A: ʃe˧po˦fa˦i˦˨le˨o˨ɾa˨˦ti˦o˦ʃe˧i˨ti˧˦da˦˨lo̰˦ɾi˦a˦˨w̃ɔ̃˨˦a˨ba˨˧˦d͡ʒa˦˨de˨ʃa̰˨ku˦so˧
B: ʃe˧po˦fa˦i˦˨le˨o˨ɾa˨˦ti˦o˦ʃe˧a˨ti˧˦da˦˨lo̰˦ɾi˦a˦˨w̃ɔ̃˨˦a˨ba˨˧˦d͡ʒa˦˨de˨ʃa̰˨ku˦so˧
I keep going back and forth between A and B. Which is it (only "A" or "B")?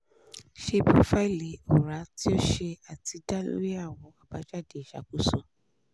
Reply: B